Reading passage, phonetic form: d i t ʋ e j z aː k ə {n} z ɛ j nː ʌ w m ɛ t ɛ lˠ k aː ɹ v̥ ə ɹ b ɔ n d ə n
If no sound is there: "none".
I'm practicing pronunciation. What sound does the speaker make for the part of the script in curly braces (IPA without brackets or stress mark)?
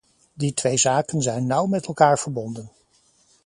n